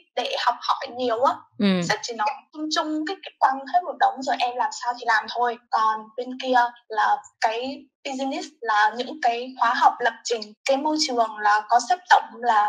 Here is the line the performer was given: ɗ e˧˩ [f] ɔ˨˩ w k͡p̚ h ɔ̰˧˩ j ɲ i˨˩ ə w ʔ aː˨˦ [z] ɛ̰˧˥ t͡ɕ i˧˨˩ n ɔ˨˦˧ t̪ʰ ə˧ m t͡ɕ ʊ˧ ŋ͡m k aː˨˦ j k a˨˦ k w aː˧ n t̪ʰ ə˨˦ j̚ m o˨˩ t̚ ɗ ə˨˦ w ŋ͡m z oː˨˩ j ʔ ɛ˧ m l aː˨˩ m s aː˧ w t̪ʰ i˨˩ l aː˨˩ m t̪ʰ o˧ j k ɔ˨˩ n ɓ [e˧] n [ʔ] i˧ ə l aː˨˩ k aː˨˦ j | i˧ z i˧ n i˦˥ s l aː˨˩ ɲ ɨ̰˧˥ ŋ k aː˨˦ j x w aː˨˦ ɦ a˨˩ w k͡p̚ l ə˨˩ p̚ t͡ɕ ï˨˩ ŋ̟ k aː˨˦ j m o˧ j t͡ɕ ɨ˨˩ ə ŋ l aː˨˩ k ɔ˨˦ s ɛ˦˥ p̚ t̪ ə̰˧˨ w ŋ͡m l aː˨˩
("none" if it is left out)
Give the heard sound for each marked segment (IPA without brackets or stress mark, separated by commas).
h, s, e˧, k